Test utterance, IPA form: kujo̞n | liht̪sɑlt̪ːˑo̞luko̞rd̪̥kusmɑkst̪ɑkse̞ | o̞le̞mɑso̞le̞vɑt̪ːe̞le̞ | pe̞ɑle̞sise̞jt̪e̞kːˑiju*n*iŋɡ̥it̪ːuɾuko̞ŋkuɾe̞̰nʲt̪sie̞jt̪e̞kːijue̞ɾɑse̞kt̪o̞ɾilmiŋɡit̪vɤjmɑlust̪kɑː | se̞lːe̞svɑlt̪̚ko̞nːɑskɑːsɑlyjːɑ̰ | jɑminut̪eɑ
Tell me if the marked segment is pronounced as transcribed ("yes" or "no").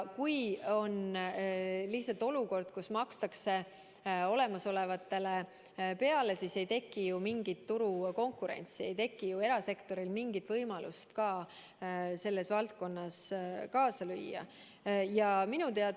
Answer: no